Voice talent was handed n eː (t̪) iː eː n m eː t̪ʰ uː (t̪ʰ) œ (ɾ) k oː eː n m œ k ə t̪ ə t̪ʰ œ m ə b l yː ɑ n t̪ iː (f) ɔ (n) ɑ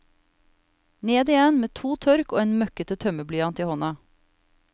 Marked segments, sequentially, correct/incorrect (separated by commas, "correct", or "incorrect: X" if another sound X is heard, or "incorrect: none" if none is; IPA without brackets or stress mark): incorrect: d̪, correct, correct, incorrect: h, correct